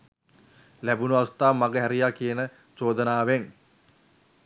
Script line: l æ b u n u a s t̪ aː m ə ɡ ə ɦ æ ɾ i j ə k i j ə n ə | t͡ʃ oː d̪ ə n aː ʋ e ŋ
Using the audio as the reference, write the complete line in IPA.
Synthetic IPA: l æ b u n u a s t̪ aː m a ɡ ə ɦ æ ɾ i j a k i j ə n ə | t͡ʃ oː d̪ ə n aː ʋ e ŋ